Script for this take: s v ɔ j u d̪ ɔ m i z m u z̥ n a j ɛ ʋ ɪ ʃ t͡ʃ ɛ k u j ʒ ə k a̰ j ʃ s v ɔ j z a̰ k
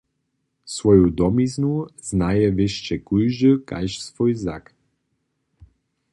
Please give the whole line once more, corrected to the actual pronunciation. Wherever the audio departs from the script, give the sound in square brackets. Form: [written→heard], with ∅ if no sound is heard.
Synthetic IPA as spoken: s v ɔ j u d̪ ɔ m i z [m→n] u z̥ n a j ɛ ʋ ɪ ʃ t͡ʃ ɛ k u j ʒ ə k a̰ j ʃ s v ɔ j z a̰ k